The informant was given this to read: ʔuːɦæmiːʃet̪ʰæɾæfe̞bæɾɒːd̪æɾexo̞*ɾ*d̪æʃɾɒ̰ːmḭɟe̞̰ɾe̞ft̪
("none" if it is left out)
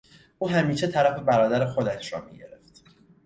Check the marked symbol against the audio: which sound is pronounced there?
none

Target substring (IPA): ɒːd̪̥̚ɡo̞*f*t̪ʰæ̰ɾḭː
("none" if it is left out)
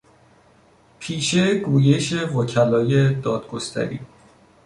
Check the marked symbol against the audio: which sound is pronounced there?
s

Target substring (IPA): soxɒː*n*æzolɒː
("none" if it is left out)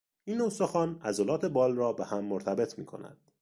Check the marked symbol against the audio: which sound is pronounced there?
n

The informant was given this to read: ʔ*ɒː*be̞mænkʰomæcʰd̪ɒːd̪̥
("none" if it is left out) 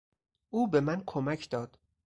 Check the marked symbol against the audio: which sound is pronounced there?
uː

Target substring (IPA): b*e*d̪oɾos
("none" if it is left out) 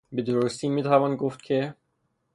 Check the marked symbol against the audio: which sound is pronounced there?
e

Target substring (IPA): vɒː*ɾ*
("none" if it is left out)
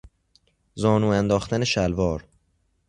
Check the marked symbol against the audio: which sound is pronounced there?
ɾ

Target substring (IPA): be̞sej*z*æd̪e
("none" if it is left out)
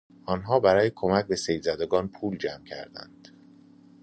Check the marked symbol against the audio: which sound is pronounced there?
z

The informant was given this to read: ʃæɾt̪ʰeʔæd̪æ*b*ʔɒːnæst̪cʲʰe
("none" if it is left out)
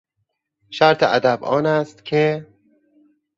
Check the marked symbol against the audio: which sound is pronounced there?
b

